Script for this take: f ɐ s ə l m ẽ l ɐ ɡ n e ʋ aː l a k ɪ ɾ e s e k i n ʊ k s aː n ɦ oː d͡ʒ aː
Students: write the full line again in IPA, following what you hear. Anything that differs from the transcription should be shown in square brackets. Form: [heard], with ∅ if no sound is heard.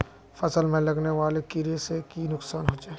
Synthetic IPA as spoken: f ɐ s ə l m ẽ l ɐ ɡ n e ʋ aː l [e] k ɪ ɾ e s e k i n ʊ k s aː n ɦ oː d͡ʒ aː